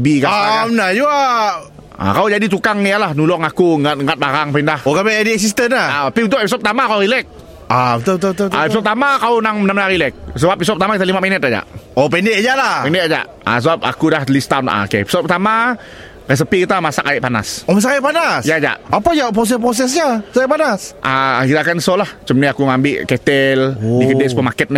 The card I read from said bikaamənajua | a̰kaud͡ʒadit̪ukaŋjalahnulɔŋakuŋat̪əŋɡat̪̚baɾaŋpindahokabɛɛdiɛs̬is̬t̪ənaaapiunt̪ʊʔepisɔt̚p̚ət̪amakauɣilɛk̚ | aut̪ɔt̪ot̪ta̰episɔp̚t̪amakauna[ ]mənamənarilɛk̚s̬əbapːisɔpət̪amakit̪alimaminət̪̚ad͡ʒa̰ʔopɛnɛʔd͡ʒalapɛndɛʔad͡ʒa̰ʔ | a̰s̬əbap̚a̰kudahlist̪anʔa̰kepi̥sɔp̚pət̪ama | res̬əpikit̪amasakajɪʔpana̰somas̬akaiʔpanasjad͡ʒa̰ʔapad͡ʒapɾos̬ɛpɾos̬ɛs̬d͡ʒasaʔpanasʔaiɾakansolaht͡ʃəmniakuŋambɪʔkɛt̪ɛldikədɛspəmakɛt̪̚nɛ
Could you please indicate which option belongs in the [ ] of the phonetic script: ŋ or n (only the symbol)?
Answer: ŋ